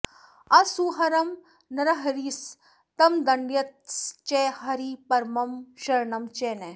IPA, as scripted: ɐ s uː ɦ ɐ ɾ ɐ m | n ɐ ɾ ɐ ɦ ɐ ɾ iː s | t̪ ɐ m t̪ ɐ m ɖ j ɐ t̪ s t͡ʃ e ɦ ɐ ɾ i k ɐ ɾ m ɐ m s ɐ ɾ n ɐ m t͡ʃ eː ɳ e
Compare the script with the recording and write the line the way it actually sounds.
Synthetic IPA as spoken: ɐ s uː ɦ ɐ ɾ ɐ m | n ɐ ɾ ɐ ɦ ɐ ɾ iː s | t̪ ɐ m d̪ ɐ ɳ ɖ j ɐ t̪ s t͡ʃ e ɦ ɐ ɾ i p ɐ ɾ m ɐ m ʃ ɐ ɾ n ɐ m t͡ʃ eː n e

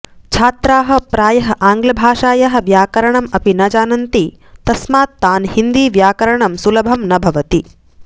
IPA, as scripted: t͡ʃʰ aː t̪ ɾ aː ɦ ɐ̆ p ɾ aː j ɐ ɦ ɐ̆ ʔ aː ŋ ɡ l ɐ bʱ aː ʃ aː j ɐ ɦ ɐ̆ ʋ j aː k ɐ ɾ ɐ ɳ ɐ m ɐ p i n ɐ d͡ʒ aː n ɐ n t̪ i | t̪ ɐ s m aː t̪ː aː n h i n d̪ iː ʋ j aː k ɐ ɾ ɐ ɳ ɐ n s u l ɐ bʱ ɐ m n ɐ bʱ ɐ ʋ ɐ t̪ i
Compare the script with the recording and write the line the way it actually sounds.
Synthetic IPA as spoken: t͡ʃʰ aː t̪ ɾ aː ɦ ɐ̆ p ɾ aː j ɐ ɦ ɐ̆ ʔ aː ŋ ɡ l ɐ bʱ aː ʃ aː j ɐ ɦ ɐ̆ ʋ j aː k ɐ ɾ ɐ ɳ ɐ m ɐ p i n ɐ d͡ʒ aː n ɐ n t̪ i | t̪ ɐ s m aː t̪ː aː n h i n d̪ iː ʋ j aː k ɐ ɾ ɐ ɳ ɐ m s u l ɐ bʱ ɐ m n ɐ bʱ ɐ ʋ ɐ t̪ i

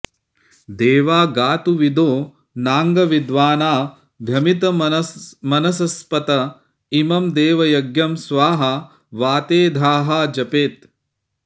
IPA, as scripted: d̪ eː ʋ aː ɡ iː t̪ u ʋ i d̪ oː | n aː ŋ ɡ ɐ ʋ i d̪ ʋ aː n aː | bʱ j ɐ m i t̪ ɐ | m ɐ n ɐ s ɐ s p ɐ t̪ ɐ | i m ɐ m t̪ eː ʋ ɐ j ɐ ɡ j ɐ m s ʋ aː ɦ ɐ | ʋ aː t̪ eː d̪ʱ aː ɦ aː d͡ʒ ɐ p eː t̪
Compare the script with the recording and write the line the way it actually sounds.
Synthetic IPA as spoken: d̪ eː ʋ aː ɡ aː t̪ u ʋ i d̪ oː | n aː ŋ ɡ ɐ ʋ i d̪ ʋ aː n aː | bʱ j ɐ m i t̪ ɐ | m ɐ n ɐ s ɐ s p ɐ t̪ ɐ | i m ɐ m d̪ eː ʋ ɐ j ɐ ɡ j ɐ m s ʋ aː ɦ ɐ | ʋ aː t̪ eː d̪ʱ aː ɦ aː d͡ʒ ɐ p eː t̪

